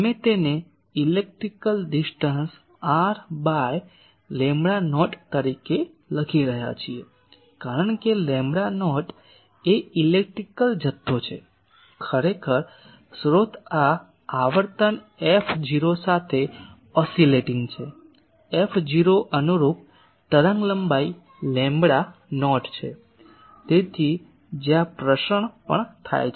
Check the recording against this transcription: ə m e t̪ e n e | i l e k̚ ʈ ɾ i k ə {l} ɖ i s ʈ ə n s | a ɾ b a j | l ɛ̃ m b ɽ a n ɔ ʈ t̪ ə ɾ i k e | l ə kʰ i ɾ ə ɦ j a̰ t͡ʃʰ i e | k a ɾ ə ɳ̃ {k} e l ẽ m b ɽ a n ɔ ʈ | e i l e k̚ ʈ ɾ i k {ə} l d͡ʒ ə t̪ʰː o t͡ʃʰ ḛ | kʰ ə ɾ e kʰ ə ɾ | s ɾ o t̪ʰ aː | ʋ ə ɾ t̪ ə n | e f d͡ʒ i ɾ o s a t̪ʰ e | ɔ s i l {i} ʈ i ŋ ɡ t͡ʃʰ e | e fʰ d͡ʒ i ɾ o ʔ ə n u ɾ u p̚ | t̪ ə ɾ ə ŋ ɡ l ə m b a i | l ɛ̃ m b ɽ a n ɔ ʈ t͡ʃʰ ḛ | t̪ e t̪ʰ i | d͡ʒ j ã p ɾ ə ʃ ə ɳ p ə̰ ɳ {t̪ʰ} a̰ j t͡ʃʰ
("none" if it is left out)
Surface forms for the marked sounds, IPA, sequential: l, k, ə, e, t̪ʰ

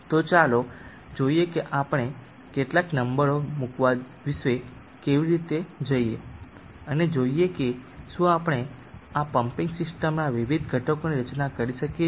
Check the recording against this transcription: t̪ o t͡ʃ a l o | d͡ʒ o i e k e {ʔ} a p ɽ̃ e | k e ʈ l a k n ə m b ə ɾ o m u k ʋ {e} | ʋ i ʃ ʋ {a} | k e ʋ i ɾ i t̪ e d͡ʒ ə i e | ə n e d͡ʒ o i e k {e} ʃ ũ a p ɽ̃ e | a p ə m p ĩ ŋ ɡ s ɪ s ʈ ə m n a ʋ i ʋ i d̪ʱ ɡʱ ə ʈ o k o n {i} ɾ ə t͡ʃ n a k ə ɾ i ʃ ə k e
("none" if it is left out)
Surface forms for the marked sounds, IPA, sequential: ʔ, a, e, e, i

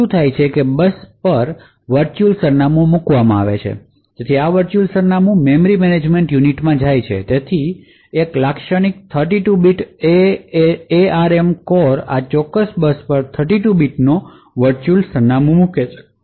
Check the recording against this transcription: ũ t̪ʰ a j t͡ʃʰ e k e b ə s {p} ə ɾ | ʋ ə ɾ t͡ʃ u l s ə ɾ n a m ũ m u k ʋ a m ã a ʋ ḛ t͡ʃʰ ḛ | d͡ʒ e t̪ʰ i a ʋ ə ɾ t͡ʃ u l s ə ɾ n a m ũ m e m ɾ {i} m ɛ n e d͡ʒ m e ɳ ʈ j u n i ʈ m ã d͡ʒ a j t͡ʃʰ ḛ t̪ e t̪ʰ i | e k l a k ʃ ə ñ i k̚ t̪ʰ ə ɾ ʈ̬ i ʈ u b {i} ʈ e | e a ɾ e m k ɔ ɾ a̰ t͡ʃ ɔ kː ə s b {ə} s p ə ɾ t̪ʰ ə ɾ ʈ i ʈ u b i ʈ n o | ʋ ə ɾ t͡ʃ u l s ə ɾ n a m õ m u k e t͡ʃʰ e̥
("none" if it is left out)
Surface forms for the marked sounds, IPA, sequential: p, i, i, ə

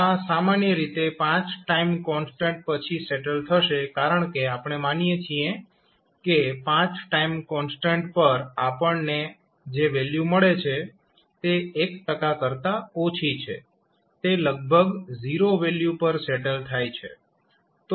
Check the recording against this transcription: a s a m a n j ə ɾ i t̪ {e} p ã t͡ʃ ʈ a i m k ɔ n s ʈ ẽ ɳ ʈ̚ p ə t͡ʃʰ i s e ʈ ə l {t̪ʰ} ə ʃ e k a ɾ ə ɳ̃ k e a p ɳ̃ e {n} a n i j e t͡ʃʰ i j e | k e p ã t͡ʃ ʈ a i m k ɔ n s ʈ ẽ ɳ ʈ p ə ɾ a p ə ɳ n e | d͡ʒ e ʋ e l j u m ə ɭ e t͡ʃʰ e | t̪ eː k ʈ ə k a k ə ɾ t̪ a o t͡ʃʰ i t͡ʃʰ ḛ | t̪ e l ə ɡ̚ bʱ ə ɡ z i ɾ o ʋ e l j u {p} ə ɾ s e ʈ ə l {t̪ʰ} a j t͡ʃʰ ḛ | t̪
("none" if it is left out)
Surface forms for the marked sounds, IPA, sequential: e, t̪ʰ, m, p, t̪ʰ

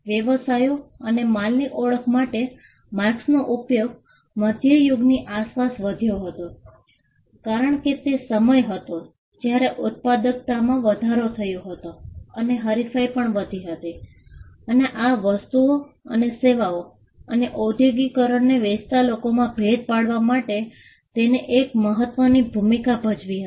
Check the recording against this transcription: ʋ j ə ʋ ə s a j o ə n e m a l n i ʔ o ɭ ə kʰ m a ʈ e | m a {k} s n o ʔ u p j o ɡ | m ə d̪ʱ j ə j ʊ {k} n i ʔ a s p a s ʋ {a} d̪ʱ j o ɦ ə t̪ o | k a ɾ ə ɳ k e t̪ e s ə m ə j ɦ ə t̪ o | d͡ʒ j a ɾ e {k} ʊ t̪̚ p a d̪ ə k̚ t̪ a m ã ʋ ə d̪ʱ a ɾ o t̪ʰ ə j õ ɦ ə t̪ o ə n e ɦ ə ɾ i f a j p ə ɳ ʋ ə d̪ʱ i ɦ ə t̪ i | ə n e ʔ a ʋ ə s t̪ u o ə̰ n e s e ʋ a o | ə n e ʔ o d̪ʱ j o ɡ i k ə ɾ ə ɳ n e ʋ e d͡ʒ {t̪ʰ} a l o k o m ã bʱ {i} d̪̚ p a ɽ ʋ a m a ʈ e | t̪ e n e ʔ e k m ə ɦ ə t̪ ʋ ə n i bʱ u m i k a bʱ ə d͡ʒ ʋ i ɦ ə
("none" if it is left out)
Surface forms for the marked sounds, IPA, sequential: k, ɡ, ə, ʔ, t̪, e

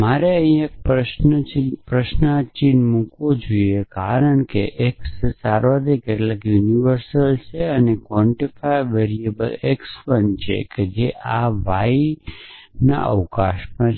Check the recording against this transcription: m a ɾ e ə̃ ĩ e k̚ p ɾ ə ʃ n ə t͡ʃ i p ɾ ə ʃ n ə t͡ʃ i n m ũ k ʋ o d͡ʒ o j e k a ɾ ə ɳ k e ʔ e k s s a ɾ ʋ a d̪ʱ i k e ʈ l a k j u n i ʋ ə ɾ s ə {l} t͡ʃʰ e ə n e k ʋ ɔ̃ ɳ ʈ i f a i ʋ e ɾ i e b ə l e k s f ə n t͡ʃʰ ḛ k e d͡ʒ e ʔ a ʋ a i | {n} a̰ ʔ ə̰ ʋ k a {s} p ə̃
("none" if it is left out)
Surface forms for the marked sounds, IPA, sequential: l, n, ʃ

